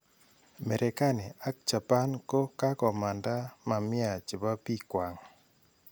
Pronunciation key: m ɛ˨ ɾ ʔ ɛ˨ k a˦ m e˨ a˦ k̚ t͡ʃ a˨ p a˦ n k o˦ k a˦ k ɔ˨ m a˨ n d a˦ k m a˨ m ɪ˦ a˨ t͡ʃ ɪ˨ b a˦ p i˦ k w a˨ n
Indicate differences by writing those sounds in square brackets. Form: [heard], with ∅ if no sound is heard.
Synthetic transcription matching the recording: m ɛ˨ ɾ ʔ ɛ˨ k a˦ [n] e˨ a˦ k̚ t͡ʃ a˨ p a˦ n k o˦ k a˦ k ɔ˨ m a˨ n d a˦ [∅] m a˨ m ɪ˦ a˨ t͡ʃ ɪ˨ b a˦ p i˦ k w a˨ [ŋ]

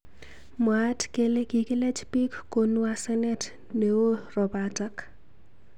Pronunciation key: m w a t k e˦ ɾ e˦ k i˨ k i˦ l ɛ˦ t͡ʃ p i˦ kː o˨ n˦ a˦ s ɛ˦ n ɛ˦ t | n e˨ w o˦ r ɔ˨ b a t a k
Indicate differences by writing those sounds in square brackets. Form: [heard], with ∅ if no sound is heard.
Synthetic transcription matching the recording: m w a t k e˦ [l] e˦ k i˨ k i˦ l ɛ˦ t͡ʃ p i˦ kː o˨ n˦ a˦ s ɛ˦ n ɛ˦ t | n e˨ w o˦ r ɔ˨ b a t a k

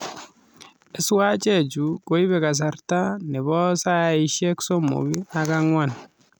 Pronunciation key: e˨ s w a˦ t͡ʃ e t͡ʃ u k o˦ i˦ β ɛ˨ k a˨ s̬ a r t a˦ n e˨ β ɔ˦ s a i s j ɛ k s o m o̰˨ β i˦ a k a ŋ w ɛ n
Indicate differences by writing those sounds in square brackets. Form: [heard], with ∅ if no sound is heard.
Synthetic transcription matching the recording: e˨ s w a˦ t͡ʃ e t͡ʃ u k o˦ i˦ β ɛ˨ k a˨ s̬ a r t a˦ n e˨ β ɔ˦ s a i [ʃ] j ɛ k s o m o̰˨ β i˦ a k a ŋ w [a] n

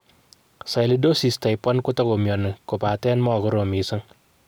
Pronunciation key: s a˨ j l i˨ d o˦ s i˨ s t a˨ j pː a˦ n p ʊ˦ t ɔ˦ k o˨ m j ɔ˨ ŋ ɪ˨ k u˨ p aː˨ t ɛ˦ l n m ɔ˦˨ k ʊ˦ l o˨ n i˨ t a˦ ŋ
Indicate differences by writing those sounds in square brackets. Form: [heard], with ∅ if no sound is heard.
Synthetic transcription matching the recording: s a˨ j l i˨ d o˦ s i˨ s t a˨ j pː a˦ n [k] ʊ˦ t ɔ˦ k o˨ m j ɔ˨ [n] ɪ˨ k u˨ p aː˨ t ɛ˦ [∅] n m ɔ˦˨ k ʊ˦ [ɾ] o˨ [m] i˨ [s] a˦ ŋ

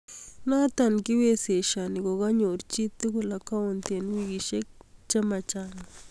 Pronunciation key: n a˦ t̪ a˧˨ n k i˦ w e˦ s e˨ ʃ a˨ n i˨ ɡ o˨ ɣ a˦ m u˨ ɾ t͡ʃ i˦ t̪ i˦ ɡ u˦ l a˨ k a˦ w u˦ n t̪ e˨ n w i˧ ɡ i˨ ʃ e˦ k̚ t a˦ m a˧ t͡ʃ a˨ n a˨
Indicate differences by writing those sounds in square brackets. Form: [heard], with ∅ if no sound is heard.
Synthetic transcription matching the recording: n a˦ t̪ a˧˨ n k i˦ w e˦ s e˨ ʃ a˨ n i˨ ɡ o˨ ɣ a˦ [ɲ] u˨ ɾ t͡ʃ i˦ t̪ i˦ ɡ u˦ l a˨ k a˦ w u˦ n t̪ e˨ n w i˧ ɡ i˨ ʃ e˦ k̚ [t͡ʃ] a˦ m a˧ t͡ʃ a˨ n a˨

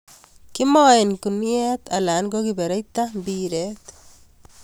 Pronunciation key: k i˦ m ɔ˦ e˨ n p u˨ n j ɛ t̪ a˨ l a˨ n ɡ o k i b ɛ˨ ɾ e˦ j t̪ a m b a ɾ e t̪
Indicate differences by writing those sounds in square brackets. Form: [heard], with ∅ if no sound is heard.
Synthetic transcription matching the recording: k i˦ m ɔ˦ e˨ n [k] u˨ n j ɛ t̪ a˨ l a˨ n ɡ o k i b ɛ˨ ɾ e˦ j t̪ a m b [i] ɾ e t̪

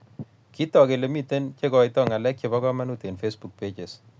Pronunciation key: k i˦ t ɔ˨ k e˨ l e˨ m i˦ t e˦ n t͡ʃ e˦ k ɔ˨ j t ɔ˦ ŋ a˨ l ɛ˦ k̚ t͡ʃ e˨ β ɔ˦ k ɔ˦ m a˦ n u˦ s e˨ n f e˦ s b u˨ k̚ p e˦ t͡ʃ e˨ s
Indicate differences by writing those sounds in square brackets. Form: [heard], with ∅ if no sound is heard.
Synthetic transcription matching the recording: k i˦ t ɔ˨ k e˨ l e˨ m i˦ t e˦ n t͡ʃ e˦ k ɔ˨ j t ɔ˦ ŋ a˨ l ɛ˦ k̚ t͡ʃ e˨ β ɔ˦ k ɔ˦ m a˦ n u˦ [t] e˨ n f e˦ s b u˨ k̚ p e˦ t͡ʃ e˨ s

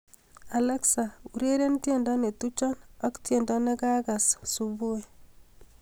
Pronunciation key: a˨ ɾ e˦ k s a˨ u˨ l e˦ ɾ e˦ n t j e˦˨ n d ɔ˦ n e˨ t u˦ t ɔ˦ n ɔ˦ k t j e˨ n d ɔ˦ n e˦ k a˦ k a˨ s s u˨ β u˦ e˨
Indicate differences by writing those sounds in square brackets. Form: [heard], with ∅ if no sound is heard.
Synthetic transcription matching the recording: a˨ [l] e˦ k s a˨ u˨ [ɾ] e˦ ɾ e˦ n t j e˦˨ n d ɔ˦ n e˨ t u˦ [t͡ʃ] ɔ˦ n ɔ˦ k t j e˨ n d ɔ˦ n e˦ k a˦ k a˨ s s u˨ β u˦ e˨

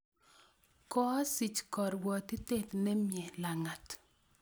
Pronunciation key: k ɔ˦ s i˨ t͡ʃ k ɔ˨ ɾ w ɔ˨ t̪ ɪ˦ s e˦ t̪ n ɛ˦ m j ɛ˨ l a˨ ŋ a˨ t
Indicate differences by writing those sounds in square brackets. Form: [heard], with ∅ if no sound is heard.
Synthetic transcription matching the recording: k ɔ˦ s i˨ t͡ʃ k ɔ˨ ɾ w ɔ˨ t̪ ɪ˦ [t] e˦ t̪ n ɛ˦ m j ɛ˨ l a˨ ŋ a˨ t

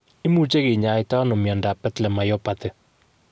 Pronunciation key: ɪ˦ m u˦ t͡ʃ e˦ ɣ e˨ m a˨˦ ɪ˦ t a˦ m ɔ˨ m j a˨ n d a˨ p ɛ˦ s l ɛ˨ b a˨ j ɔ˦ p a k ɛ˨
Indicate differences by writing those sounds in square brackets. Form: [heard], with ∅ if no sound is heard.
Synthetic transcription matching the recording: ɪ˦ m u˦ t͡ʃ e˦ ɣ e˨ [ɲ] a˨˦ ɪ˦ t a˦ [n] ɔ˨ m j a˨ n d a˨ p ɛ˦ [t] l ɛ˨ [m] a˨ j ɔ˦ p a [t] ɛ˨

